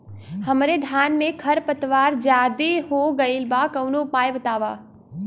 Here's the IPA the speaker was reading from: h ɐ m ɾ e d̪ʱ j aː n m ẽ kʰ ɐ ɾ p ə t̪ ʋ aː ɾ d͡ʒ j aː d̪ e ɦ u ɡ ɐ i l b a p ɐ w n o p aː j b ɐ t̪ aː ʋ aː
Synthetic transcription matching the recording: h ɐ m ɾ e d̪ʱ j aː n m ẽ kʰ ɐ ɾ p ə t̪ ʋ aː ɾ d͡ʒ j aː d̪ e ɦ o ɡ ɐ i l b a k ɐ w n o p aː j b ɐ t̪ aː ʋ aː